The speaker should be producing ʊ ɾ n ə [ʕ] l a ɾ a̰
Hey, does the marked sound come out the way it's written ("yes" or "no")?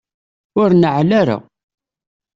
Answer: yes